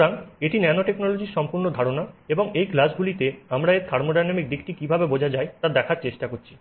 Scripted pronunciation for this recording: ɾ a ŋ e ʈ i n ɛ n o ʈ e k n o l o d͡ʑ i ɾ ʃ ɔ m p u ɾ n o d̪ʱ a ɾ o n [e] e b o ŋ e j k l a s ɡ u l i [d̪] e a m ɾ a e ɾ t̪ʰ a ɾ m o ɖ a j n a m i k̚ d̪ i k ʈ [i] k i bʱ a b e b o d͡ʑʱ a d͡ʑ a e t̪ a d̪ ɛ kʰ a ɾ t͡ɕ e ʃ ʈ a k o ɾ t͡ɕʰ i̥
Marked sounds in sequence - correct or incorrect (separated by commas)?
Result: incorrect, incorrect, correct